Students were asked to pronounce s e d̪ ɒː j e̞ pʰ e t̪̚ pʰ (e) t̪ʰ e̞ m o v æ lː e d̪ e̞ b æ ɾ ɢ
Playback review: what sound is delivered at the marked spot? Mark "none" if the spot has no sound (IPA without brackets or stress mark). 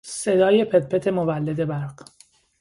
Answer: e